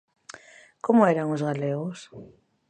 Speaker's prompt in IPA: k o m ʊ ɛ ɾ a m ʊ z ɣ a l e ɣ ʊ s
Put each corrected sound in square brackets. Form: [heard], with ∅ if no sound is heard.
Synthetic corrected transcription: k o m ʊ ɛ ɾ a [ŋ] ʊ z ɣ a l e ɣ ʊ s

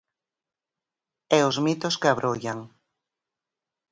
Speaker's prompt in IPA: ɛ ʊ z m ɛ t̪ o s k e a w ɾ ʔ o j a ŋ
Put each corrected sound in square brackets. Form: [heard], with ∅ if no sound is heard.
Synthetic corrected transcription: ɛ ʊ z m [i] t̪ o s k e a [β] ɾ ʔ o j a ŋ

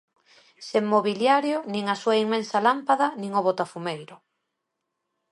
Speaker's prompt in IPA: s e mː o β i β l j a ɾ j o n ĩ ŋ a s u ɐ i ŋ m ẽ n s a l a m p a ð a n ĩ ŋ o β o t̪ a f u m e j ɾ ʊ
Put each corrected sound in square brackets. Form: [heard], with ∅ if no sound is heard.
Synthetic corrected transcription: s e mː o β i [∅] l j a ɾ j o n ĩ ŋ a s u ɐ i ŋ m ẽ n s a l a m p a ð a n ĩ ŋ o β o t̪ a f u m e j ɾ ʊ

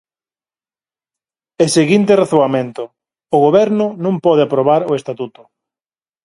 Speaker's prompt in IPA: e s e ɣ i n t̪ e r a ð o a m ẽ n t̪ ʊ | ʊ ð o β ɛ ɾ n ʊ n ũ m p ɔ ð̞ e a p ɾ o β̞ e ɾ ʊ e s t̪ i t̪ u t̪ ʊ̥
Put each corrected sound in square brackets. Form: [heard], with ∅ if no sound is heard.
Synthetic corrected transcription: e s e ɣ i n t̪ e r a [θ] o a m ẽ n t̪ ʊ | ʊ [ɣ] o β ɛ ɾ n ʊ n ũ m p ɔ ð̞ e a p ɾ o β̞ [a] ɾ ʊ e s t̪ [a] t̪ u t̪ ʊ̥

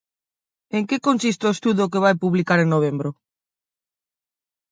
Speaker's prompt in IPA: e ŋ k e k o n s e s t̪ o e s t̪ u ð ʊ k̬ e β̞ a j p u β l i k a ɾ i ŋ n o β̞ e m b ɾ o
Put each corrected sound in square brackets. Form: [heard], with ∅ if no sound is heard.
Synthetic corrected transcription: e ŋ k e k o n s [i] s t̪ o e s t̪ u ð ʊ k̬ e β̞ a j p u β l i k a ɾ [e] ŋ n o β̞ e m b ɾ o

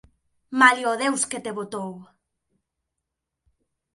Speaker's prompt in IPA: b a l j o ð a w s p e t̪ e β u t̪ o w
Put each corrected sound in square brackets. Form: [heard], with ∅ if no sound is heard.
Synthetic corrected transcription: [m] a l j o ð [e] w s [k] e t̪ e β [o] t̪ o w

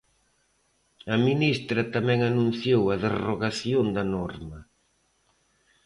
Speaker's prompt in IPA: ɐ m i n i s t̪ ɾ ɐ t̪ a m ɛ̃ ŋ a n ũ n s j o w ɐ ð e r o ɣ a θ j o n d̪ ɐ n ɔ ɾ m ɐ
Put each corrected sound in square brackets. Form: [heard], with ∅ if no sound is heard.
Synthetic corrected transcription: ɐ m i n i s t̪ ɾ ɐ t̪ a m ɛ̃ ŋ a n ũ n [θ] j o w ɐ ð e r o ɣ a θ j o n d̪ ɐ n ɔ ɾ m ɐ

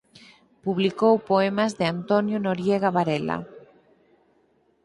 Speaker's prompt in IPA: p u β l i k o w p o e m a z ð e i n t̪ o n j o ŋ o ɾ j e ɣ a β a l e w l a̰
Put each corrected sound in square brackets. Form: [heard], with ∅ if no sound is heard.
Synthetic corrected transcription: p u β l i k o w p o e m a z ð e [a] n t̪ o n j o [n] o ɾ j e ɣ a β a [ɾ] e [∅] l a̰

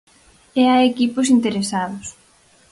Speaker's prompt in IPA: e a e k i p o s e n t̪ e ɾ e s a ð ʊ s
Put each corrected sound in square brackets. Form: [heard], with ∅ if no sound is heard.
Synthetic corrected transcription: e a e k i p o s [i] n t̪ e ɾ e s a ð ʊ s

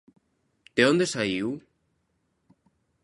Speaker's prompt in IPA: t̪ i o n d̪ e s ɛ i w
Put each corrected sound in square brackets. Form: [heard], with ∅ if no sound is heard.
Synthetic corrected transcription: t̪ [e] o n d̪ e s [a] i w

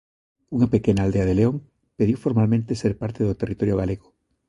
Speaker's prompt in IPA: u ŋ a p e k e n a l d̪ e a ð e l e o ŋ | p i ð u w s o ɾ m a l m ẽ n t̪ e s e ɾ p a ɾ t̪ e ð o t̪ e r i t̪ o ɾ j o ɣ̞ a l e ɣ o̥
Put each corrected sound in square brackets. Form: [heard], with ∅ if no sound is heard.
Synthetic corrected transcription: u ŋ a p e k e n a l d̪ e a ð e l e o ŋ | p [e] ð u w [f] o ɾ m a l m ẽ n t̪ e s e ɾ p a ɾ t̪ e ð o t̪ e r i t̪ o ɾ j o ɣ̞ a l e ɣ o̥

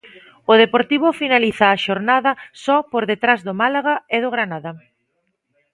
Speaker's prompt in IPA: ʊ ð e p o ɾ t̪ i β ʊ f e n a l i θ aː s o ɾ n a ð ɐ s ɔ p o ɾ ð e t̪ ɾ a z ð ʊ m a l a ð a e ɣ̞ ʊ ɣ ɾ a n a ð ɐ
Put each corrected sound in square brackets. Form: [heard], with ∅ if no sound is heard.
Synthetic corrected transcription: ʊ ð e p o ɾ t̪ i β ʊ f [i] n a l i θ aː [ʃ] o ɾ n a ð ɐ s ɔ p o ɾ ð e t̪ ɾ a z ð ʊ m a l a [ɣ] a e [ð̞] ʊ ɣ ɾ a n a ð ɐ

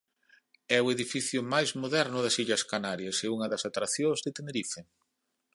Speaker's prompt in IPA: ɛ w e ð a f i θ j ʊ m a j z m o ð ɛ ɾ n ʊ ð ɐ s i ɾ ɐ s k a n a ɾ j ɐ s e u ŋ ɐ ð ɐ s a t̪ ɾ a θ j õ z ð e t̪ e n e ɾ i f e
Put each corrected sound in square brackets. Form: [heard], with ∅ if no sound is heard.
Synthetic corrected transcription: ɛ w e ð [i] f i θ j ʊ m a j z m o ð ɛ ɾ n ʊ ð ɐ s i [ʎ] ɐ s k a n a ɾ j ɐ s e u ŋ ɐ ð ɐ s a t̪ ɾ a θ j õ z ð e t̪ e n e ɾ i f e

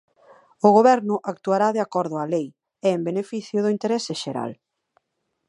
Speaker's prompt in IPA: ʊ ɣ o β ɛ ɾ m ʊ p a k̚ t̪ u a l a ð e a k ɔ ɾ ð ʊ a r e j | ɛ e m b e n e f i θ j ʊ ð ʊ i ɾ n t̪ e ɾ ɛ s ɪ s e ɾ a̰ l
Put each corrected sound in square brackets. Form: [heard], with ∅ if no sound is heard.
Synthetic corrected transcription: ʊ ɣ o β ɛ ɾ [n] ʊ [ʔ] a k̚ t̪ u a [ɾ] a ð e a k ɔ ɾ ð ʊ a [l] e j | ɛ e m b e n e f i θ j ʊ ð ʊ i [∅] n t̪ e ɾ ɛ s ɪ [ʃ] e ɾ a̰ l

